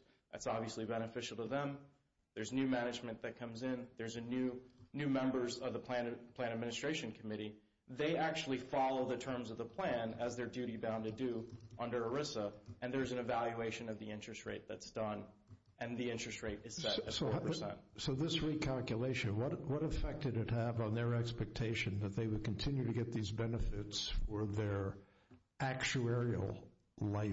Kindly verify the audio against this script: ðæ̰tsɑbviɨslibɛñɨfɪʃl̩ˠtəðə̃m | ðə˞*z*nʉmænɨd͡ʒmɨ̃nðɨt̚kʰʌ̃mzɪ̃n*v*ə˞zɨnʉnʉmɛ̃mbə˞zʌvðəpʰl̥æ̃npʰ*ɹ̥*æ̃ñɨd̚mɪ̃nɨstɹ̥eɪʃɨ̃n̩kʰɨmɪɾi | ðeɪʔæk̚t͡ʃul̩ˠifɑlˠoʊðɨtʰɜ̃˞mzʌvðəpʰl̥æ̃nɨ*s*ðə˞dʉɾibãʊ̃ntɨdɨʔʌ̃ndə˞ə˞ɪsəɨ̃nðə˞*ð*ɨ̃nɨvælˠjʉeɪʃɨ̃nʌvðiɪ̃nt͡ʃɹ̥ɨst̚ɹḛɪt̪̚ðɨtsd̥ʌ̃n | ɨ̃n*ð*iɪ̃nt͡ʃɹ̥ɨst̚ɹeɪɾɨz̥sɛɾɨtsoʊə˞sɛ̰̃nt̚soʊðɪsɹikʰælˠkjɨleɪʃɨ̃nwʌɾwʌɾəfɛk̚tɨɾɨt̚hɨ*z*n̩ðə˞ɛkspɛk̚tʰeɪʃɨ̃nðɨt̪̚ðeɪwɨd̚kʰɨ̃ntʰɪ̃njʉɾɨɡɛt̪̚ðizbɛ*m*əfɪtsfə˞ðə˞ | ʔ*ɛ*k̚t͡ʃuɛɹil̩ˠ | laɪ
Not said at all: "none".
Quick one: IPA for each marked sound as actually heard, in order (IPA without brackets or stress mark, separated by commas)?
z, ð, l̥, z, z, ð, v, n, æ